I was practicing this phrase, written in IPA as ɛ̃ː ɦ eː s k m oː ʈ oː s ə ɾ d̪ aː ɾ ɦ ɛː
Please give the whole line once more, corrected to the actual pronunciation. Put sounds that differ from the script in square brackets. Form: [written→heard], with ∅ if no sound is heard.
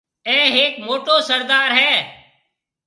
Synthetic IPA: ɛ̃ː ɦ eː [s→∅] k m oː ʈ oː s ə ɾ d̪ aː ɾ ɦ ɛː